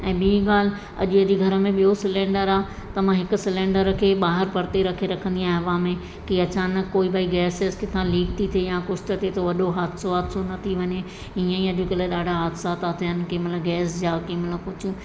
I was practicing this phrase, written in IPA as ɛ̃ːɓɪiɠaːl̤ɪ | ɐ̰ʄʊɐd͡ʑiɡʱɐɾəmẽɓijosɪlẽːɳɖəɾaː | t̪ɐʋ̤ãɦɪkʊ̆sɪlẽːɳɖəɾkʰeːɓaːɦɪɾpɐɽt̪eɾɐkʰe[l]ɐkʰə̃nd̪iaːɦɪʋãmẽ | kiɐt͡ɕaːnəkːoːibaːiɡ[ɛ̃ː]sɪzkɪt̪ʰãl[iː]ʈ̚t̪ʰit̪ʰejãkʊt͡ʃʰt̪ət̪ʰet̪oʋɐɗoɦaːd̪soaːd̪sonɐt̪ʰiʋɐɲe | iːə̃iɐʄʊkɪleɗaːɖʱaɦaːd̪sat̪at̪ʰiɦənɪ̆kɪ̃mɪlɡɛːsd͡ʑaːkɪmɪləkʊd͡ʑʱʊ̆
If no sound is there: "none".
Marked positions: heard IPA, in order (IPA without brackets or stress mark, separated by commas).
ɾ, ɛː, iː